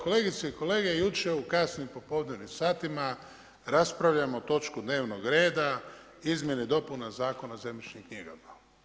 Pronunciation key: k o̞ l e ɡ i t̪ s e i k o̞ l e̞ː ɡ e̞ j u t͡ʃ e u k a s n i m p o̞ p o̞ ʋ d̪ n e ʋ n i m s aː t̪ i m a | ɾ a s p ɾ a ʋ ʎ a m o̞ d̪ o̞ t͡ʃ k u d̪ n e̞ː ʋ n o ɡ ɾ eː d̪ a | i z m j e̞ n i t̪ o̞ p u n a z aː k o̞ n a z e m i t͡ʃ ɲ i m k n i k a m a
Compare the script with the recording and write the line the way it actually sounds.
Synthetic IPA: k o̞ l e ɡ i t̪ s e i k o̞ l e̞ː ɡ e̞ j u t͡ʃ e u k a s n i m p o̞ p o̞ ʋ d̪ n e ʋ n i m s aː t̪ i m a | ɾ a s p ɾ a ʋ ʎ a m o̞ t̪ o̞ t͡ʃ k u d̪ n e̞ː ʋ n o ɡ ɾ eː d̪ a | i z m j e̞ n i d̪ o̞ p u n a z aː k o̞ n a z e m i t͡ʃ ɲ i m k ɲ i ɡ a m a